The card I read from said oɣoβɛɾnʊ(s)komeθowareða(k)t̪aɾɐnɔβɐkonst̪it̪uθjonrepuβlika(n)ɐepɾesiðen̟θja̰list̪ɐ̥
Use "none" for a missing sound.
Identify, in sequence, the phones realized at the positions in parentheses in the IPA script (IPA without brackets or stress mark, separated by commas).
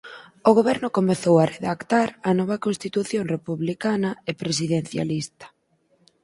none, k, n